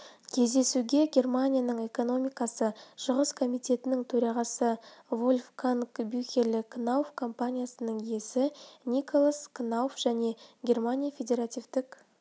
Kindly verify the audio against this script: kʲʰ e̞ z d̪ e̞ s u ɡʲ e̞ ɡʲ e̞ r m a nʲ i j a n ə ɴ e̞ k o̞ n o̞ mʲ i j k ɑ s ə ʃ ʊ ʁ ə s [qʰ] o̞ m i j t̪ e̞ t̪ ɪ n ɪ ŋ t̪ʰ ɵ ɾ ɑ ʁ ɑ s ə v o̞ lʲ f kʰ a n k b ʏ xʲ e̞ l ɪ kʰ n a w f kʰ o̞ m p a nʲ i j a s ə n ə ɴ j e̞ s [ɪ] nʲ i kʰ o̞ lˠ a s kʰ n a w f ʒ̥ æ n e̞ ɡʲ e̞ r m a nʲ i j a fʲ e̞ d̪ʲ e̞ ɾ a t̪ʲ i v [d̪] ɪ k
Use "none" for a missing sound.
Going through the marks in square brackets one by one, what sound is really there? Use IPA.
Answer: kʰ, ɪ, t̪

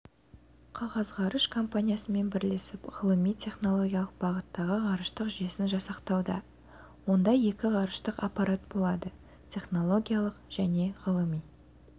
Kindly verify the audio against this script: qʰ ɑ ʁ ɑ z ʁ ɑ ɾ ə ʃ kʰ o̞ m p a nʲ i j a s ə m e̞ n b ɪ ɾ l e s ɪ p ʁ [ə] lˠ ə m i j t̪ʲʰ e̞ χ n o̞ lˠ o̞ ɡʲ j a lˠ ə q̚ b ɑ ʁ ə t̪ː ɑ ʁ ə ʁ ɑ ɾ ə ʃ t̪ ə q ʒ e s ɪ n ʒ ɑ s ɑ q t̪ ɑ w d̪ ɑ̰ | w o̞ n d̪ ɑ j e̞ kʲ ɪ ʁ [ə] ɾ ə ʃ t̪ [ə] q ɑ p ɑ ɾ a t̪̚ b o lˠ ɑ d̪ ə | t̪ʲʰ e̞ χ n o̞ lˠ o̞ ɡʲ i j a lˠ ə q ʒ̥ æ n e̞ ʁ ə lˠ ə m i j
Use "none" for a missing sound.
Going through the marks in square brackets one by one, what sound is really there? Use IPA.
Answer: ə, ɑ, ə

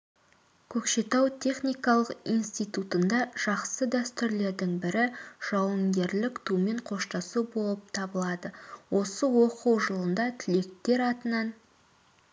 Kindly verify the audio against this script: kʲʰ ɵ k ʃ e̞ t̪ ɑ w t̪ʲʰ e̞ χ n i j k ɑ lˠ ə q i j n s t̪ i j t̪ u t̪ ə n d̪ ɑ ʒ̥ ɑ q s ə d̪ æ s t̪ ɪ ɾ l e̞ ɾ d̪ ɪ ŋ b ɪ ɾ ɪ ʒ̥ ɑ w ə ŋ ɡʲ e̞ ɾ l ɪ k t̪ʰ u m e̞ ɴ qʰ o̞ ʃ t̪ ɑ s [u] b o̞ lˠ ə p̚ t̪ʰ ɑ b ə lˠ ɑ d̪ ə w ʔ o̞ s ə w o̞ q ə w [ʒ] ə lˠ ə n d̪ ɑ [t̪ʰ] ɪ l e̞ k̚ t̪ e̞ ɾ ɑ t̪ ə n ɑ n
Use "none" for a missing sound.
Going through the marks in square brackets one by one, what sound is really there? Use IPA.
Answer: u, ʒ, t̪ʰ

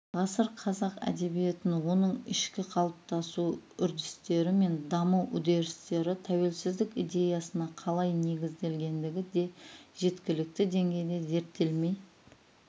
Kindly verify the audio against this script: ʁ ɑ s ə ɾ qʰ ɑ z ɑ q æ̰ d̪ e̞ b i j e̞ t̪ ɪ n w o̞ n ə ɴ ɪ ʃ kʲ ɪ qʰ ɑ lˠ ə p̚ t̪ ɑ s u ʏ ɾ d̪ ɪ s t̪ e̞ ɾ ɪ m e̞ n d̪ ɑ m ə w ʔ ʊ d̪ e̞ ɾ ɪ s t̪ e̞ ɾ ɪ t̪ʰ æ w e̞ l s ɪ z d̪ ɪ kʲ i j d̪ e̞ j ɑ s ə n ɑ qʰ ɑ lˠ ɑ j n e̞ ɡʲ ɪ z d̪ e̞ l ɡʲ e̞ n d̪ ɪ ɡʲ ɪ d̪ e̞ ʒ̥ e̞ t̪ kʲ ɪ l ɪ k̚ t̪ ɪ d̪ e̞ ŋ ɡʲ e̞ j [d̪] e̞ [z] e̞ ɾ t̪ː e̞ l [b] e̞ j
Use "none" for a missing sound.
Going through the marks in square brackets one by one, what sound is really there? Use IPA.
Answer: d̪, z, m

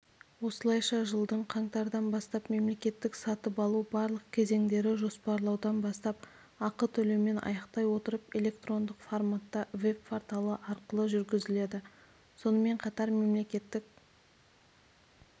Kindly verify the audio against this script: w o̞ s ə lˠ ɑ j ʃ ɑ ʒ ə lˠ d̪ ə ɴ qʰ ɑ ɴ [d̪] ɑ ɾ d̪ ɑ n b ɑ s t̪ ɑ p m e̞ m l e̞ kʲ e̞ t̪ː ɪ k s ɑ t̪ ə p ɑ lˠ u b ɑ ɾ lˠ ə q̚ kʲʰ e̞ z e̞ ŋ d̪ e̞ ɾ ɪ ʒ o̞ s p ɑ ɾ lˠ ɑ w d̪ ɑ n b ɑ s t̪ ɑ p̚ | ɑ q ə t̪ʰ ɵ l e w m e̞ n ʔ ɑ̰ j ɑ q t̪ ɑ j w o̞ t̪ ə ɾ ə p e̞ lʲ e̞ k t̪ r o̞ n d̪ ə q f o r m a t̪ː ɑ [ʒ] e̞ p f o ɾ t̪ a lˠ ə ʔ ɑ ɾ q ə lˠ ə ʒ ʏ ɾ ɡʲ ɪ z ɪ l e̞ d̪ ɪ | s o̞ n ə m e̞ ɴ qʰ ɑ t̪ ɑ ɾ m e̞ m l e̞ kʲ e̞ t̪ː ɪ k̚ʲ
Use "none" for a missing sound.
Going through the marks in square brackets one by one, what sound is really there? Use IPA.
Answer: t̪, v

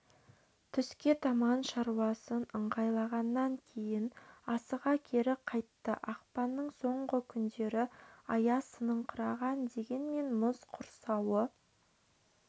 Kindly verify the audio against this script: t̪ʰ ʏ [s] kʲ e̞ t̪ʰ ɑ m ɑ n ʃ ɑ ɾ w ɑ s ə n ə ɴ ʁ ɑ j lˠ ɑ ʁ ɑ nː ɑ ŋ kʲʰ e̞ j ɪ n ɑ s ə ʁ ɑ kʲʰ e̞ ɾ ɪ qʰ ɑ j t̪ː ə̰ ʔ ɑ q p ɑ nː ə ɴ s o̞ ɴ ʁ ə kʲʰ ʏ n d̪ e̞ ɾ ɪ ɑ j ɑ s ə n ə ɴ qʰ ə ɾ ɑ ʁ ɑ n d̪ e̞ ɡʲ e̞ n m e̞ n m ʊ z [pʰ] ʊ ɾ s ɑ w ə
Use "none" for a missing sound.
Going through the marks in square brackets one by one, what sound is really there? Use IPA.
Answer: s, qʰ

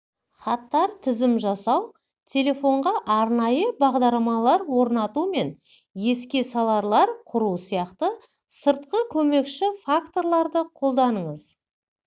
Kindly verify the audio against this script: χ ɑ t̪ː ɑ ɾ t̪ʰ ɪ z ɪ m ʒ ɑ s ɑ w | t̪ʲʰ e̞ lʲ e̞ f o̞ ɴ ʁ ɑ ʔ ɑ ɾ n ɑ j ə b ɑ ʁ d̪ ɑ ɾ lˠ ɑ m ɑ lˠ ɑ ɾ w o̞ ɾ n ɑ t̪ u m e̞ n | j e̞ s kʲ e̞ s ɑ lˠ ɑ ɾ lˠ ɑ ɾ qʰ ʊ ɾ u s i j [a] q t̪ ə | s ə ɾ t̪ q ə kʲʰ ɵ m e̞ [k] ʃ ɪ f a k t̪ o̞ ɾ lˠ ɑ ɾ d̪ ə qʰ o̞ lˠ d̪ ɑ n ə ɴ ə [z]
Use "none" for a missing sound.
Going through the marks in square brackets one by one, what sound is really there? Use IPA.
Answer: ɑ, k, z

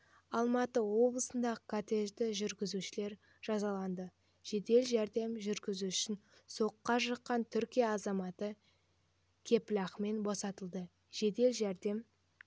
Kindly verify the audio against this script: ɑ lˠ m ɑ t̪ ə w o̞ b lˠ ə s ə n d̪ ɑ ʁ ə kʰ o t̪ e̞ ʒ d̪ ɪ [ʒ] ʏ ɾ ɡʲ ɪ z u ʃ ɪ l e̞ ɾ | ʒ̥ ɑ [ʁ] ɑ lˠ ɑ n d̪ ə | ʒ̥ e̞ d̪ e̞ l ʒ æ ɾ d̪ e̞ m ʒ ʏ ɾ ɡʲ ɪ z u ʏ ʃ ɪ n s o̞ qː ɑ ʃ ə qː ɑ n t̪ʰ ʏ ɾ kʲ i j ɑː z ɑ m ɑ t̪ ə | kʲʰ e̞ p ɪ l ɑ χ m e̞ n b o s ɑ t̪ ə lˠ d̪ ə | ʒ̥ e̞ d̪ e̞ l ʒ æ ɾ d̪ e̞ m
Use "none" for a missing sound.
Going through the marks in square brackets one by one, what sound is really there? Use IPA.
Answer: ʒ, z

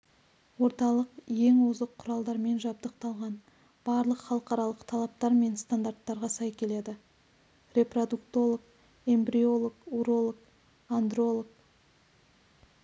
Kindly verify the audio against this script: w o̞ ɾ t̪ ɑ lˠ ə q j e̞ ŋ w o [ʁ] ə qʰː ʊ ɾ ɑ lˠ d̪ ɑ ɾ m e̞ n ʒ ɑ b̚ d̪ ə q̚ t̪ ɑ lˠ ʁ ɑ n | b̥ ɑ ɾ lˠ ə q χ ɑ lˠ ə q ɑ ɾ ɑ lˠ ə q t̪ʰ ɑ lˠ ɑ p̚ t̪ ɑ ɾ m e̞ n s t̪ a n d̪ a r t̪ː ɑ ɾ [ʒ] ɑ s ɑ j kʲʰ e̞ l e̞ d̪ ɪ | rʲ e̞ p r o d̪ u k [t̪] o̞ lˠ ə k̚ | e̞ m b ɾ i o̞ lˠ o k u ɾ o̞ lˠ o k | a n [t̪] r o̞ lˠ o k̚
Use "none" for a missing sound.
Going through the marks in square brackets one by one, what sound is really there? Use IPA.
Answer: z, ʁ, t̪, d̪

